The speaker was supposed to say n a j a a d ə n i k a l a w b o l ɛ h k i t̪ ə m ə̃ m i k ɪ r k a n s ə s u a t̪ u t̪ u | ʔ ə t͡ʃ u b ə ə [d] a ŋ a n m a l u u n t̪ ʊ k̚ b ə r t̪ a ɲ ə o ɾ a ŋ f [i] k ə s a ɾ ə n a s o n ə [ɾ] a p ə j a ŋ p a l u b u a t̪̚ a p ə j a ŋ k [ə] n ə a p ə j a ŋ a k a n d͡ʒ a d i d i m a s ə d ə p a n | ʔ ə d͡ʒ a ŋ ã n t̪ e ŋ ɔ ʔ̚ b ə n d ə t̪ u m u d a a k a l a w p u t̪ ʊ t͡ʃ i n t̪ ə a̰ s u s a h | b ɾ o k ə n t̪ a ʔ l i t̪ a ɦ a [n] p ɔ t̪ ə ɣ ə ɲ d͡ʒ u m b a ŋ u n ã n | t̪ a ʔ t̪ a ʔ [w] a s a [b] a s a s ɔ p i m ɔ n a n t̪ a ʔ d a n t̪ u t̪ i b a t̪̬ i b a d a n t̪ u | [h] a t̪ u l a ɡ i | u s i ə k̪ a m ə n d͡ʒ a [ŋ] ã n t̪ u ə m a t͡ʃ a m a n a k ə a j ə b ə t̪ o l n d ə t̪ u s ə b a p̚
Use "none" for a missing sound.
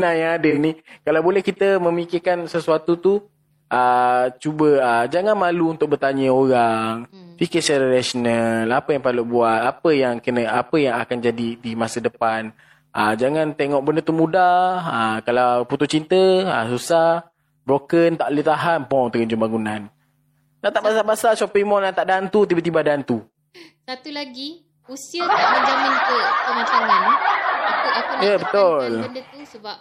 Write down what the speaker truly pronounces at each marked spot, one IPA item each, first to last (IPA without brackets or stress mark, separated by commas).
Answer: d͡ʒ, i, l, ə, n, b, b, s, m